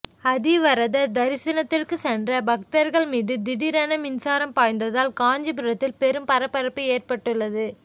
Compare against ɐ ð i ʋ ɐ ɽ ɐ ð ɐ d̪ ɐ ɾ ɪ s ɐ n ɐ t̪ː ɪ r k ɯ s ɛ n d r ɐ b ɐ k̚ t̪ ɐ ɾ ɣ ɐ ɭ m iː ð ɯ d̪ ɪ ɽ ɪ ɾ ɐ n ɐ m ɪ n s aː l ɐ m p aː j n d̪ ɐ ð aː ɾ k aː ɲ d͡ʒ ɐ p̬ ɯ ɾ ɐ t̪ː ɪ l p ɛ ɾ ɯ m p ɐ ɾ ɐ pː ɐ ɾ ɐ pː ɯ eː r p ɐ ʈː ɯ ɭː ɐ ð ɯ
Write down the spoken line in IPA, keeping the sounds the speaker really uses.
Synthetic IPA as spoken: ɐ ð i ʋ ɐ ɾ ɐ ð ɐ d̪ ɐ ɾ ɪ s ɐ n ɐ t̪ː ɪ r k ɯ s ɛ n d r ɐ b ɐ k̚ t̪ ɐ ɾ ɣ ɐ ɭ m iː ð ɯ d̪ ɪ ɽ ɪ ɾ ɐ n ɐ m ɪ n s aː ɾ ɐ m p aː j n d̪ ɐ ð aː l k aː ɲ d͡ʒ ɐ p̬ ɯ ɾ ɐ t̪ː ɪ l p ɛ ɾ ɯ m p ɐ ɾ ɐ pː ɐ ɾ ɐ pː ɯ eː r p ɐ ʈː ɯ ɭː ɐ ð ɯ